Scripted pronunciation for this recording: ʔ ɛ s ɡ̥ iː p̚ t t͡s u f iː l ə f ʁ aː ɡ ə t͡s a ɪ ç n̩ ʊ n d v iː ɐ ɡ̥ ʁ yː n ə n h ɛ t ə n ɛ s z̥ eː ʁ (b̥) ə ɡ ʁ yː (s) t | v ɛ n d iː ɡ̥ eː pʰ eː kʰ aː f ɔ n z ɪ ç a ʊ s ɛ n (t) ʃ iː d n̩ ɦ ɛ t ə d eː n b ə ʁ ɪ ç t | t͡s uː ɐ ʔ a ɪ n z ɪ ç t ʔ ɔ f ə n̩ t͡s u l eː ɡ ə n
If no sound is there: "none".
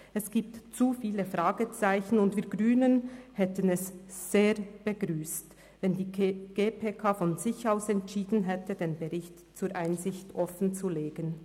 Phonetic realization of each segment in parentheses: b̥, s, t

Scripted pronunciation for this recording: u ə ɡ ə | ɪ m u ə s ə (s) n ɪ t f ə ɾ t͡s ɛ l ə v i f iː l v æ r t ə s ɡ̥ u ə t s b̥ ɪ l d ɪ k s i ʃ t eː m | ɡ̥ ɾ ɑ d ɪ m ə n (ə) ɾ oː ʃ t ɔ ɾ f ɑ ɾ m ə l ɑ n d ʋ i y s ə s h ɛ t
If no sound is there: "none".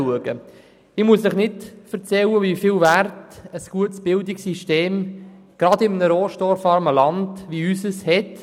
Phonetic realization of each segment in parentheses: χ, ə

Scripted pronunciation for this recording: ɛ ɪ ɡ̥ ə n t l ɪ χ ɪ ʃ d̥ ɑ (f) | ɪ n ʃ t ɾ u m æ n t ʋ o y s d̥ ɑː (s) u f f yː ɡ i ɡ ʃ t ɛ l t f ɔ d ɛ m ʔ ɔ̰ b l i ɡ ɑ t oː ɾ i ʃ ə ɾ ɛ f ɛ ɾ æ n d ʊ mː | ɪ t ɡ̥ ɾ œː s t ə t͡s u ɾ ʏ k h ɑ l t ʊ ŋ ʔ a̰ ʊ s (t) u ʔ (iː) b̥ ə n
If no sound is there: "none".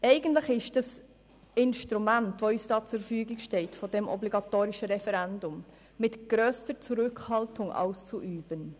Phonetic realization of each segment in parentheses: s, t͡s, t͡s, yː

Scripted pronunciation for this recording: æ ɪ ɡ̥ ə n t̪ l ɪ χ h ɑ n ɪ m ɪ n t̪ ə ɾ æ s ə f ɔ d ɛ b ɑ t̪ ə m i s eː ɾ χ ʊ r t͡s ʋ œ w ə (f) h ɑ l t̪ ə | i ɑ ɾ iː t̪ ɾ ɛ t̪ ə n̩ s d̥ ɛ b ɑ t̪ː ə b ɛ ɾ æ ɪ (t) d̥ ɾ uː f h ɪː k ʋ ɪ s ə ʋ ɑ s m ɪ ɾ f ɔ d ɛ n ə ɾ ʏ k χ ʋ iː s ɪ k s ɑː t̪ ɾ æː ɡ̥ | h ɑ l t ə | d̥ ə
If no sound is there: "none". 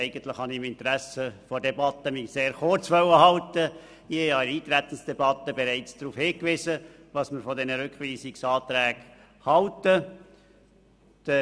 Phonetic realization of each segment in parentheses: none, t͡s

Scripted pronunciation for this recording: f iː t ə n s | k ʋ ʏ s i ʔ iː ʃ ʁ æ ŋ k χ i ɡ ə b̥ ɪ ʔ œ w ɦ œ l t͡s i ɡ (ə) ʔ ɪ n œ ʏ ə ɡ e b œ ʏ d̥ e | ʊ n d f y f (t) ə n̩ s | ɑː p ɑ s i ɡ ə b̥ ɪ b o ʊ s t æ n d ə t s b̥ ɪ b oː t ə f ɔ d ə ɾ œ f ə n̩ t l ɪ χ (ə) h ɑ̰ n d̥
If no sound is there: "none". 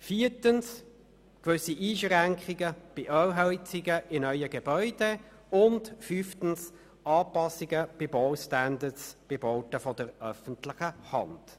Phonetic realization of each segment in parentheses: ə, t, ə

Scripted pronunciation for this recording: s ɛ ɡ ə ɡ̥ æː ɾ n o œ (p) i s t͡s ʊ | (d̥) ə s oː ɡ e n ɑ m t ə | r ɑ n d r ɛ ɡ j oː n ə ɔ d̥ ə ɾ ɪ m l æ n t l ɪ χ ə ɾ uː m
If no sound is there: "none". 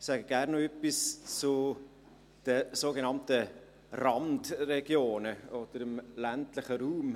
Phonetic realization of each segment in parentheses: p, d̥

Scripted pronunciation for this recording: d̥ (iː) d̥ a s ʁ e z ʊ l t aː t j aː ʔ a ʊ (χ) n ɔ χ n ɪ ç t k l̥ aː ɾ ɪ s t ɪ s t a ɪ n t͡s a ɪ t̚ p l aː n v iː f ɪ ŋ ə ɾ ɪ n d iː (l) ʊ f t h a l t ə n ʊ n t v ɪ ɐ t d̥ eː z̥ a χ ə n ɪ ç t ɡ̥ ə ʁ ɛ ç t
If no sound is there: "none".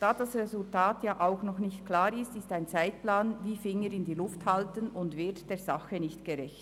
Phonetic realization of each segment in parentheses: aː, x, l

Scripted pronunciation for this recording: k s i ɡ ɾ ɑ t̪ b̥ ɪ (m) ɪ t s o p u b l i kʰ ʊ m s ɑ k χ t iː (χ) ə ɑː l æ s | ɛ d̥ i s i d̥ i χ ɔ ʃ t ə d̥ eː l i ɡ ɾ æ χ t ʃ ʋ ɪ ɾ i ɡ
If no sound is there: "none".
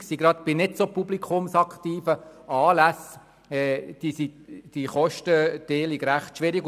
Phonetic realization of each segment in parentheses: n, f

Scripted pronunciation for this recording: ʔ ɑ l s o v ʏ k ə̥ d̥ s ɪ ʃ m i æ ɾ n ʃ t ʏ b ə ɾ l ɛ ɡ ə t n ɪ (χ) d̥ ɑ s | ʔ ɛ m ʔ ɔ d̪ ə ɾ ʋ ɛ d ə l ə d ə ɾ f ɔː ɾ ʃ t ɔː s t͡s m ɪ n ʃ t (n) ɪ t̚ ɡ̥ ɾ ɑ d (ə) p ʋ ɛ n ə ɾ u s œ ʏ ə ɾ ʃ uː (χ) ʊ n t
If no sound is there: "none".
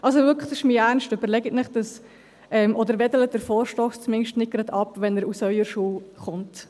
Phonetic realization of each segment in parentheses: χ, n, ɑ, χ

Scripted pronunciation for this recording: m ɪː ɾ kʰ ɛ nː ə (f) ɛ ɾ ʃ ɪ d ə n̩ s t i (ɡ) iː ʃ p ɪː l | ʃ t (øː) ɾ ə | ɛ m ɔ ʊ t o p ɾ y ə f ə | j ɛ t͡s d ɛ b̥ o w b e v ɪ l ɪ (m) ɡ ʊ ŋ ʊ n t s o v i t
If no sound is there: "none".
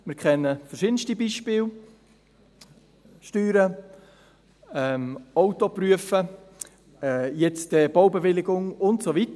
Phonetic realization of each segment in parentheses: f, b, yː, none

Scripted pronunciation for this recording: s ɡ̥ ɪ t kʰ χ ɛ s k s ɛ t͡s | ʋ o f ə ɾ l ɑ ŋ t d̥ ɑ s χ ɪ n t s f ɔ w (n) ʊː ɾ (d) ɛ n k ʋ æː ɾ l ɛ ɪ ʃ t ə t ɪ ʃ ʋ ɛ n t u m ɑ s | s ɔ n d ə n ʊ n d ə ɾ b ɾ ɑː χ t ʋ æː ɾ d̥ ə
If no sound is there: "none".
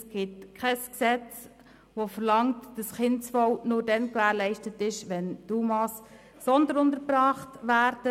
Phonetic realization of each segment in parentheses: n, d

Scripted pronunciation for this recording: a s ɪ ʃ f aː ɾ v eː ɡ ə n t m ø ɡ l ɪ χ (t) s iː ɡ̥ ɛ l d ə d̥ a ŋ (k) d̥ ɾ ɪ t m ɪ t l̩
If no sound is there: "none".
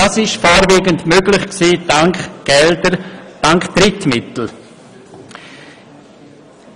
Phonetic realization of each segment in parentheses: k, k

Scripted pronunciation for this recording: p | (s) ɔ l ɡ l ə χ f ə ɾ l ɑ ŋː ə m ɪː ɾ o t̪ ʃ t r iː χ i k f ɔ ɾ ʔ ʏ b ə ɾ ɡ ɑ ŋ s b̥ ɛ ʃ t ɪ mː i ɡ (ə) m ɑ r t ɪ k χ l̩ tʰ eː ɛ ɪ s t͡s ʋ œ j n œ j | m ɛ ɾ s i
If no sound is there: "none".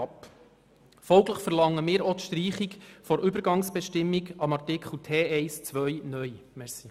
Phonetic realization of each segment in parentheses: f, ɑ

